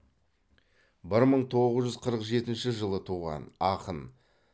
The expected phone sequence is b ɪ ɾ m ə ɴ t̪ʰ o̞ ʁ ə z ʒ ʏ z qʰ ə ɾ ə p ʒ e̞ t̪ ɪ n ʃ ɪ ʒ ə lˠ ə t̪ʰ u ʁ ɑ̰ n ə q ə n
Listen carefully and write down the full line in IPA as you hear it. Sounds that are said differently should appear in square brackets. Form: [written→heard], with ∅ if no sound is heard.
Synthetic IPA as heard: b ɪ ɾ m ə ɴ t̪ʰ o̞ ʁ ə z ʒ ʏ z qʰ ə ɾ ə [p→q] ʒ e̞ t̪ ɪ n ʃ ɪ ʒ ə lˠ ə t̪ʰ u ʁ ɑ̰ n [ə→ɑ] q ə n